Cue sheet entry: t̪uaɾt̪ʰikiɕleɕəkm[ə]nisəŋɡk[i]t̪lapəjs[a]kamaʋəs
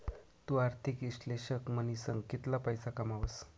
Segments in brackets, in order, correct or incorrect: correct, correct, correct

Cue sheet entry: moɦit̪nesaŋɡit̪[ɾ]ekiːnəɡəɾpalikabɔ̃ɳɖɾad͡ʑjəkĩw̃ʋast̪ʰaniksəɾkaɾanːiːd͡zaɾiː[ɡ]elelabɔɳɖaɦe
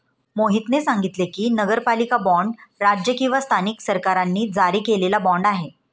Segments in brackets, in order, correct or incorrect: incorrect, incorrect

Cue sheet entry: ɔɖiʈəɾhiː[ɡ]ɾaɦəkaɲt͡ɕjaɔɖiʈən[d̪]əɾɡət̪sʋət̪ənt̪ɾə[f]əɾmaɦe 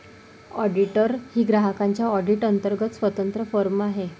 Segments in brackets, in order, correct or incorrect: correct, incorrect, correct

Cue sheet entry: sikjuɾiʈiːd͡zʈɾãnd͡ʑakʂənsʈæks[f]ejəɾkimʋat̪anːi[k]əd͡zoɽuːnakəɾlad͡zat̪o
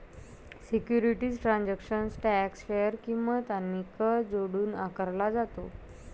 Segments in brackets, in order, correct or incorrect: correct, correct

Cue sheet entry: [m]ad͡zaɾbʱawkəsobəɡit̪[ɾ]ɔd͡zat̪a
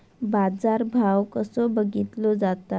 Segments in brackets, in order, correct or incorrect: incorrect, incorrect

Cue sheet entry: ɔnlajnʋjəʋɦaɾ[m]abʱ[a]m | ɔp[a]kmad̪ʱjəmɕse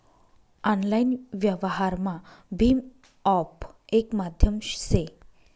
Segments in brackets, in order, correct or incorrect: correct, incorrect, incorrect

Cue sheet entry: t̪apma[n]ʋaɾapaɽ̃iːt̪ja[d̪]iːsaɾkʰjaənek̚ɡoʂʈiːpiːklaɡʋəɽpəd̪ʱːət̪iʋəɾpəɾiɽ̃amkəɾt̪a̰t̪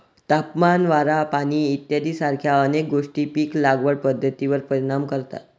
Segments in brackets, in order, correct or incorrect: correct, correct

